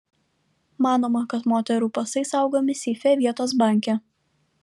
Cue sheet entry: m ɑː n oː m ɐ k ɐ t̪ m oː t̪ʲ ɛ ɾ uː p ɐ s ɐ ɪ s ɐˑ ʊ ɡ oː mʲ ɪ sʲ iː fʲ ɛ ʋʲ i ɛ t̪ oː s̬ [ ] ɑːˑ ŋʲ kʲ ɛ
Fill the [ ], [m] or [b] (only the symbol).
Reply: b